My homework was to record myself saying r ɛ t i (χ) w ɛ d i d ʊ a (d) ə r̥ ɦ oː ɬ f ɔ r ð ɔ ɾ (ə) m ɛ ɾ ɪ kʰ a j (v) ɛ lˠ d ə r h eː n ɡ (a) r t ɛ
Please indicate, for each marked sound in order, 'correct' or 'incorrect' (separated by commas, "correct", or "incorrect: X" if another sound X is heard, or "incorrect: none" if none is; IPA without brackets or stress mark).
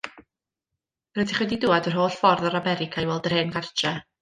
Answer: correct, correct, incorrect: a, incorrect: w, correct